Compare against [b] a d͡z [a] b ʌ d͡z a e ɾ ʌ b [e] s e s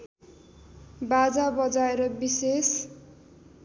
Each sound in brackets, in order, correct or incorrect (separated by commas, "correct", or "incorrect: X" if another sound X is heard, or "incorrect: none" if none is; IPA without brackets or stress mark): correct, correct, incorrect: i